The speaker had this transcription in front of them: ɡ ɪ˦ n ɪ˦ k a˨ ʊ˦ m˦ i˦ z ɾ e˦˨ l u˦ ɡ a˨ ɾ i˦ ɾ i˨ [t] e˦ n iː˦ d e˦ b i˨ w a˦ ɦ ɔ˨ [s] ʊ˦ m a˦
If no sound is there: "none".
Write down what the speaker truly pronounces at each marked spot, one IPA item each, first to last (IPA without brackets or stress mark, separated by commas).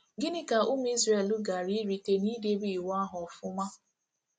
t, f